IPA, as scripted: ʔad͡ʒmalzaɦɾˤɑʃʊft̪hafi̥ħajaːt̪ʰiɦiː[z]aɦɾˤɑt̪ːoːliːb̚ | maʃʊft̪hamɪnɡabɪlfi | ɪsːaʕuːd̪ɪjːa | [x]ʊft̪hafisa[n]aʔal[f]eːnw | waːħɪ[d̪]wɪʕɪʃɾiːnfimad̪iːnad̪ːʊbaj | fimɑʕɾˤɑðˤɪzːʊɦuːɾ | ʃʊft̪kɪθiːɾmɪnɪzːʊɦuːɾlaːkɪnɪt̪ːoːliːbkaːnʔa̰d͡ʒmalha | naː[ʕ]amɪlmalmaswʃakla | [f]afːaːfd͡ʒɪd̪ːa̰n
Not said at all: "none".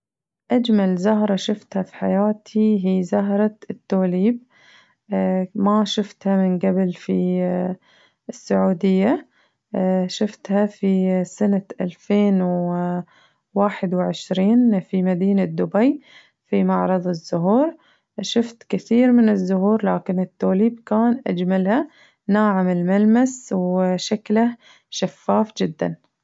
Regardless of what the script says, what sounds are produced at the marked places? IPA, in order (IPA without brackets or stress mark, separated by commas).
z, ʃ, n, f, d̪, ʕ, ʃ